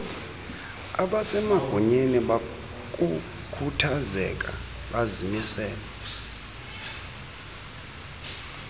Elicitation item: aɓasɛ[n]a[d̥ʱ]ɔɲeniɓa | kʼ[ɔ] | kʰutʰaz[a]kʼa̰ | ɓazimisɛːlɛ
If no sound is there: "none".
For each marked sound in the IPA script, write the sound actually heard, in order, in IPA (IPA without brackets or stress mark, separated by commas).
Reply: m, ɡ̥ʱ, u, ɛ